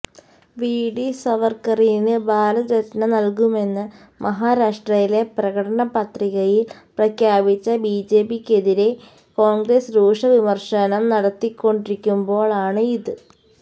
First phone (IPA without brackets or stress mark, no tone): ʋ